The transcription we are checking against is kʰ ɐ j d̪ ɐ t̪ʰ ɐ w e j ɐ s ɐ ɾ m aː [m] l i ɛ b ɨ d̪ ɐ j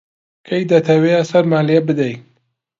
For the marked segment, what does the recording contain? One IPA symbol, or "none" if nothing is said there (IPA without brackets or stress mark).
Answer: none